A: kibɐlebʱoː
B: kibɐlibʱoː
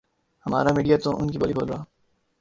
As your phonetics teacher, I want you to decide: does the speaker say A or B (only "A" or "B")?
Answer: B